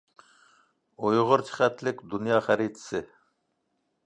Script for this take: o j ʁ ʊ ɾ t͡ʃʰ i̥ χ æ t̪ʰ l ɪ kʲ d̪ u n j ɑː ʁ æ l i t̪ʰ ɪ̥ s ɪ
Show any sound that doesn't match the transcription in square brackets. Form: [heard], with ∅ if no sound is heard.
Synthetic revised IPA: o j ʁ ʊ ɾ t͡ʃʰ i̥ χ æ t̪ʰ l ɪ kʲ d̪ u n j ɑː [χ] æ [ɾ] i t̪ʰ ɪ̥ s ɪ